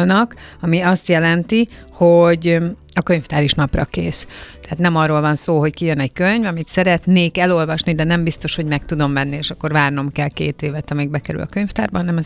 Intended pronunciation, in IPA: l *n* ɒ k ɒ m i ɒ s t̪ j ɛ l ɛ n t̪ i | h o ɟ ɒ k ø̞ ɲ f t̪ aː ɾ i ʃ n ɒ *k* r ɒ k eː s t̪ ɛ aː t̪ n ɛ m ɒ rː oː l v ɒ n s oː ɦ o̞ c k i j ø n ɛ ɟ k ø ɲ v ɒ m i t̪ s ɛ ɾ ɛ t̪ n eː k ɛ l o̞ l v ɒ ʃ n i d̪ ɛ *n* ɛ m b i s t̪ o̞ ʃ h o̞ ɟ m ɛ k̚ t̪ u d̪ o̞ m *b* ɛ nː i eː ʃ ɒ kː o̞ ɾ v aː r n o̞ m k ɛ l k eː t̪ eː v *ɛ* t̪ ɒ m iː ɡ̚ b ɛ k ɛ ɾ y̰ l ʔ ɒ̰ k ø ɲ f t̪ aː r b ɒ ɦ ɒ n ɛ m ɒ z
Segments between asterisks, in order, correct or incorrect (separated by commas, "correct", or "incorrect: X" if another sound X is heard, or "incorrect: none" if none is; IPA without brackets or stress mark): correct, incorrect: p, correct, incorrect: v, correct